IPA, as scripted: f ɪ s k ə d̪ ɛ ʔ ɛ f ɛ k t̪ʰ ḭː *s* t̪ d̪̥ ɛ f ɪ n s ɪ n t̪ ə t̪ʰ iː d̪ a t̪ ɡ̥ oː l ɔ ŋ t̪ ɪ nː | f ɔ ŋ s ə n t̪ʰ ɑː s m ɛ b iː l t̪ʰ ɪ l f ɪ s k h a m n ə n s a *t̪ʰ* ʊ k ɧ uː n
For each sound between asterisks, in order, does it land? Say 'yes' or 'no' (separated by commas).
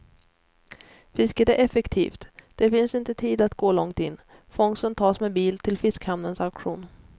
no, no